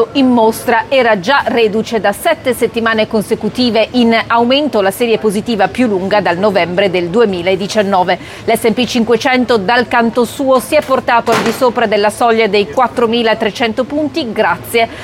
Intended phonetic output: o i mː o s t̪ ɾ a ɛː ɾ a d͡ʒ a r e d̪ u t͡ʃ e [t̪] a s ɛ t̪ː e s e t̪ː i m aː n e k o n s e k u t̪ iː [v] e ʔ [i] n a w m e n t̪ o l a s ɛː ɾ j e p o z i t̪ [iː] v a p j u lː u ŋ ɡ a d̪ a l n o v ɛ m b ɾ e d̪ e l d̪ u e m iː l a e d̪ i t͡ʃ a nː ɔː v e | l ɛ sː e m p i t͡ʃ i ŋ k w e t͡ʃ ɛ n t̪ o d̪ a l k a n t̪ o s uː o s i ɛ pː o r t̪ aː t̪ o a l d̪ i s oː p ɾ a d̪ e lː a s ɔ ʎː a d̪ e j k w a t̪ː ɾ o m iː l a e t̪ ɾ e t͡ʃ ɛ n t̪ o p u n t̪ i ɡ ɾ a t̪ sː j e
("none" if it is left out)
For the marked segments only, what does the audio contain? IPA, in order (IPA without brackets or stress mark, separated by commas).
d̪, v, i, iː